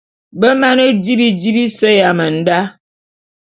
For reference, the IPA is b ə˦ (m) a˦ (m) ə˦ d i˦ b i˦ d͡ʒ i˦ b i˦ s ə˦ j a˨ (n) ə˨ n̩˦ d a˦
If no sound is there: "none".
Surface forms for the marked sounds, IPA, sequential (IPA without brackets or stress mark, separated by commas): m, n, m